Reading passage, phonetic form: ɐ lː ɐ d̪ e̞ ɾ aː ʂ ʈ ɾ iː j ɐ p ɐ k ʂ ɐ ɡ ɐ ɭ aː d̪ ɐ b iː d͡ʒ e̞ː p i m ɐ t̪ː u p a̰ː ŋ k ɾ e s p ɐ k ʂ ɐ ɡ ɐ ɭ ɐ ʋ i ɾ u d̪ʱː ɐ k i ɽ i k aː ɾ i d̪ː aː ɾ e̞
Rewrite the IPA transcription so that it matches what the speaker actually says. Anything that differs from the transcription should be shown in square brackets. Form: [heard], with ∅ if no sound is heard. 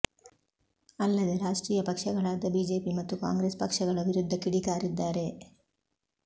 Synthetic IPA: ɐ lː ɐ d̪ e̞ ɾ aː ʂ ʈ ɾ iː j ɐ p ɐ k ʂ ɐ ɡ ɐ ɭ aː d̪ ɐ b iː d͡ʒ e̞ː p i m ɐ t̪ː u [k] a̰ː ŋ [ɡ] ɾ e s p ɐ k ʂ ɐ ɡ ɐ ɭ ɐ ʋ i ɾ u d̪ʱː ɐ k i ɽ i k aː ɾ i d̪ː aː ɾ e̞